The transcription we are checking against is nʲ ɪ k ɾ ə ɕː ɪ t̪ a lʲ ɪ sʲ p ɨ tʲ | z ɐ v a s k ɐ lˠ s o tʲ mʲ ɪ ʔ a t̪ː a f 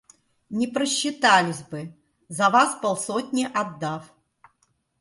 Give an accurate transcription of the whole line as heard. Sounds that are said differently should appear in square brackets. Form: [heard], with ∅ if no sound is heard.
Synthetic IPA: nʲ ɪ [p] ɾ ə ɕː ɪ t̪ a lʲ ɪ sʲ [b] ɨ [∅] | z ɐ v a s [p] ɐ lˠ s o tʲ [nʲ] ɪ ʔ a [d̪ː] a f